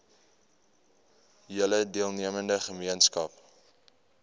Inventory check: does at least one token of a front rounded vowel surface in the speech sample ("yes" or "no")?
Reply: no